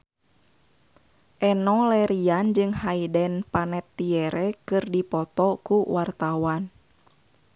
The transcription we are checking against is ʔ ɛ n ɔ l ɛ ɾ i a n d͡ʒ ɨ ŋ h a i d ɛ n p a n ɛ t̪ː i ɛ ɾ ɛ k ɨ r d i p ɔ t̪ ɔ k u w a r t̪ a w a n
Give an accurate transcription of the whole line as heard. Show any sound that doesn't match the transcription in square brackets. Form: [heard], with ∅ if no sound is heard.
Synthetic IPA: ʔ ɛ n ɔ l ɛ ɾ i a n d͡ʒ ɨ ŋ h a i d ɛ n p a n ɛ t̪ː i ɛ ɾ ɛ k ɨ r d i p ɔ t̪ ɔ k u w a r t̪ a w a n